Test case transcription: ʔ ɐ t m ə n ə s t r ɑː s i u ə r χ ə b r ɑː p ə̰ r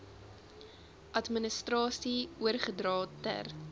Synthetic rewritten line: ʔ ɐ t m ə n ə s t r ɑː s i u ə r χ ə d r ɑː t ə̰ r